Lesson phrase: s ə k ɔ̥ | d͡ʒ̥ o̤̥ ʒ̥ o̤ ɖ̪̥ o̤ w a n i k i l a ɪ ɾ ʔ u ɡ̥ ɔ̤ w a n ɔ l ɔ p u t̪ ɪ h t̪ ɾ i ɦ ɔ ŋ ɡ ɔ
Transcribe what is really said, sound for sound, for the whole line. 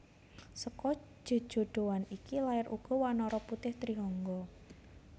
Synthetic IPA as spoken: s ə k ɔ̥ | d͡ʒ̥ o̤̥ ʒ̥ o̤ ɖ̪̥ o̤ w a n i k i l a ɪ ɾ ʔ u ɡ̥ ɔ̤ w a n ɔ ɾ ɔ p u t̪ ɪ h t̪ ɾ i ɦ ɔ ŋ ɡ ɔ